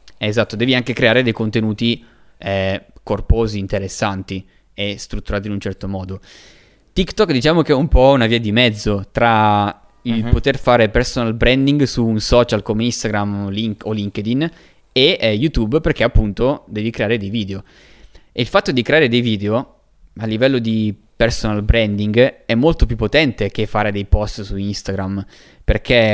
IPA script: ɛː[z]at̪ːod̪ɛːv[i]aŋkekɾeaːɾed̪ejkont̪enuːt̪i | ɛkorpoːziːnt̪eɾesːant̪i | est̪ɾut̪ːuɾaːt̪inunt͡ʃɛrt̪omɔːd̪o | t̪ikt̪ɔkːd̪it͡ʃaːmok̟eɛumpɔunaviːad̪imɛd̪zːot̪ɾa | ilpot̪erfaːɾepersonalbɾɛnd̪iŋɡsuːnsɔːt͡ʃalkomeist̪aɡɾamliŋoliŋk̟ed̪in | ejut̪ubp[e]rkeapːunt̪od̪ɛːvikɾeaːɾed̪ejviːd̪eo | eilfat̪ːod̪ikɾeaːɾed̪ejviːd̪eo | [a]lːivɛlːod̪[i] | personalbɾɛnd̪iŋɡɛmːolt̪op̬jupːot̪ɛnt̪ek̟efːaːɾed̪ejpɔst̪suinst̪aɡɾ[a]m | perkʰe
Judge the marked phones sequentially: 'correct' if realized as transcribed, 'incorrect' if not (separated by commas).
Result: correct, correct, correct, correct, correct, correct